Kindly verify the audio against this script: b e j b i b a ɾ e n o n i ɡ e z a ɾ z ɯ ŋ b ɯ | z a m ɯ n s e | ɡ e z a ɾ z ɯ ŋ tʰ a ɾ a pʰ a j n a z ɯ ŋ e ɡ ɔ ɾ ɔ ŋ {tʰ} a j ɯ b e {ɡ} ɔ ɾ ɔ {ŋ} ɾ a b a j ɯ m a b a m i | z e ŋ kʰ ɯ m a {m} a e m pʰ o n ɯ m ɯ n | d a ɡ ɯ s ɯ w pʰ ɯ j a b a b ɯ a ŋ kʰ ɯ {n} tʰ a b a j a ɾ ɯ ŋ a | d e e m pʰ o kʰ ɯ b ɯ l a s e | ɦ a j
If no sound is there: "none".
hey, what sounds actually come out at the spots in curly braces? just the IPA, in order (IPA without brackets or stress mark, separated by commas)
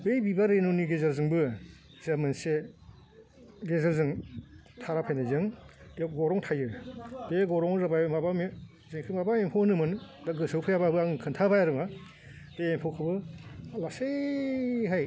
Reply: tʰ, ɡ, ŋ, b, n